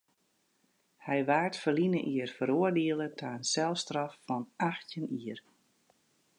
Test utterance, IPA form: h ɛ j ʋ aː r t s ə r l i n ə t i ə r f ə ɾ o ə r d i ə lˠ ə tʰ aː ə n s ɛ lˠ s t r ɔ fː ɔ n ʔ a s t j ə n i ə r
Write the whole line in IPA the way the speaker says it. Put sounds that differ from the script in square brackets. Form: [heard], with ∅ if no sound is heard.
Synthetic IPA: h ɛ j ʋ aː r t [f] ə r l i n ə [ʔ] i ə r f ə ɾ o ə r d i ə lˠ ə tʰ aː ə n s ɛ lˠ s t r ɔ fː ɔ n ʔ a [x] t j ə n i ə r